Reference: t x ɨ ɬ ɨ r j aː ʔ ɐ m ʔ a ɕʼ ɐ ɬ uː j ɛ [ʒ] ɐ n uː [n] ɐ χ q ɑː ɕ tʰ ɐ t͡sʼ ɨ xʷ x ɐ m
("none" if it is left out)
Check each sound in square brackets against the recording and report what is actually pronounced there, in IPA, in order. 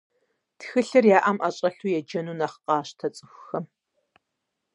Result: d͡ʒ, n

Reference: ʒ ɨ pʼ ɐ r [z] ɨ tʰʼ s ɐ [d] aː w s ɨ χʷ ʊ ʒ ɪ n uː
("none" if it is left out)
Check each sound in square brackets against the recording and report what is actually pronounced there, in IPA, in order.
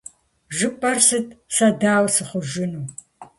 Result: s, d

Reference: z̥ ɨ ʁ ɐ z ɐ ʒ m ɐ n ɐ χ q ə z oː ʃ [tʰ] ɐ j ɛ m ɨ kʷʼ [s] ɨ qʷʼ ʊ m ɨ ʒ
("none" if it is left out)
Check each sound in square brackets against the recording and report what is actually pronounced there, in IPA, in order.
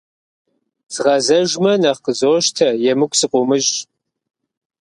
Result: tʰ, s

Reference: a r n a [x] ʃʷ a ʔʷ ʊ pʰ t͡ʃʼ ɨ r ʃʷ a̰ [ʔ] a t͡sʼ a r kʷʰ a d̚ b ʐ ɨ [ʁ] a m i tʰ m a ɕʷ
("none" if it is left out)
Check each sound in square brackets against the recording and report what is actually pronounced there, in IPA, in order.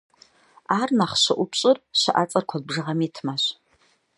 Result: χ, ʔ, ʁ

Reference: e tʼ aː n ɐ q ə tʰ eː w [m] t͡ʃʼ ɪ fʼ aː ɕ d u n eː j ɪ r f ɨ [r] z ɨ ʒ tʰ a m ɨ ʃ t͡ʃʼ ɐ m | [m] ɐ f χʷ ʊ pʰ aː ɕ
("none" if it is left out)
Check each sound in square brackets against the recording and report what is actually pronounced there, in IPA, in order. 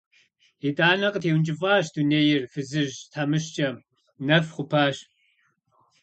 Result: n, none, n

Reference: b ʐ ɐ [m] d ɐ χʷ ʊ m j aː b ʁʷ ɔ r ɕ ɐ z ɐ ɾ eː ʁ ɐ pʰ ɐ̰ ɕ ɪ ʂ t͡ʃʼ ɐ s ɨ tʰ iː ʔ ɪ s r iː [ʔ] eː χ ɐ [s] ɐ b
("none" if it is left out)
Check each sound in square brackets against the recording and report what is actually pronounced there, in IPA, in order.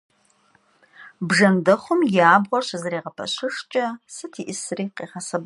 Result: n, q, s

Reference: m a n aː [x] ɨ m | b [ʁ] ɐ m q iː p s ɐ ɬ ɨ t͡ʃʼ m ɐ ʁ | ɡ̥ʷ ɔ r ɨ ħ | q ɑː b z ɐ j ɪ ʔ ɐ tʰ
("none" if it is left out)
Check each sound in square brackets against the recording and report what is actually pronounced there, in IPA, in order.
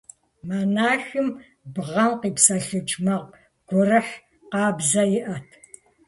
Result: x, ʁ

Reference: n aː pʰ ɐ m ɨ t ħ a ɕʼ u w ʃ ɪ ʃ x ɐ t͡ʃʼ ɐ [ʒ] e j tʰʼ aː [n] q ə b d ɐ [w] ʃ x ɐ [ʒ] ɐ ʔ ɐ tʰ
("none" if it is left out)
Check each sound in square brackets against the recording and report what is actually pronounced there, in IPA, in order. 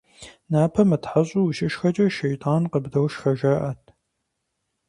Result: ʃ, n, w, ʒ

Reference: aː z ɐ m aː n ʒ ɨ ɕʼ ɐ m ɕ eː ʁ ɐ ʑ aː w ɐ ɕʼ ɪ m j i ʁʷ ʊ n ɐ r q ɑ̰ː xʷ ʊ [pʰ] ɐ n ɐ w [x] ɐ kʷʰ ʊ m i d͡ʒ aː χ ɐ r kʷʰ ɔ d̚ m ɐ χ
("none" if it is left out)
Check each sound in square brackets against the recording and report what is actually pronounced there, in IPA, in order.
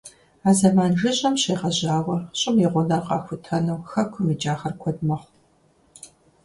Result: tʰ, x

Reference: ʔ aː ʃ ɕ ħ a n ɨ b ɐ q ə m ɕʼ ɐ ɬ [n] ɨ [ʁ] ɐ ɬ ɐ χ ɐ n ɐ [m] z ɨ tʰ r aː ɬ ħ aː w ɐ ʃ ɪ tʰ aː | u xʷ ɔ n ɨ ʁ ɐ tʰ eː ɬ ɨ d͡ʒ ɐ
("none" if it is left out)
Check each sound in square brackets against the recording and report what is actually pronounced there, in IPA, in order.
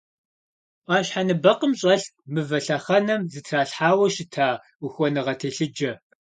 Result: m, v, m

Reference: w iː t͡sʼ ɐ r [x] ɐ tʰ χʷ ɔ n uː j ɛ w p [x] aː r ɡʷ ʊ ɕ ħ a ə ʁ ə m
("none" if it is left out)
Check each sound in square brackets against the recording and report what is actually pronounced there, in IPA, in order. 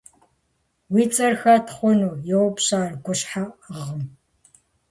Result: x, ɕ

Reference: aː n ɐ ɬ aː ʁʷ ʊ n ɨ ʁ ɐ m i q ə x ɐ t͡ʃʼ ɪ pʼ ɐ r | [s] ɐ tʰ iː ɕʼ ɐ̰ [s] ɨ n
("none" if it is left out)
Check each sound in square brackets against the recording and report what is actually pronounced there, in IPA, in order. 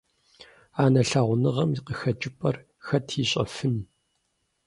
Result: x, f

